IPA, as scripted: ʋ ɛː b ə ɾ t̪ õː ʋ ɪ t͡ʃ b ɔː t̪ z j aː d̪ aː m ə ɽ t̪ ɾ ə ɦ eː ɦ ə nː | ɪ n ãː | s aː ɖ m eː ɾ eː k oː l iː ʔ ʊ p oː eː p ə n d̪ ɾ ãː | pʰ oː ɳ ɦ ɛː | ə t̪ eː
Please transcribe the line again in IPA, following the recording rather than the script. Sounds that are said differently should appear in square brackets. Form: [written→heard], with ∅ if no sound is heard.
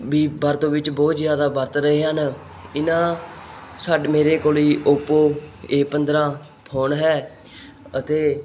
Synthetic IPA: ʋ [ɛː→iː] b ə ɾ t̪ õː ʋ ɪ t͡ʃ b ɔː t̪ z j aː d̪ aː [m→b] ə [ɽ→ɾ] t̪ ɾ ə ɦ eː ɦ ə [nː→n] | ɪ n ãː | s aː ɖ m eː ɾ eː k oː l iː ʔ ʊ p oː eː p ə n d̪ ɾ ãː | pʰ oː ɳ ɦ ɛː | ə t̪ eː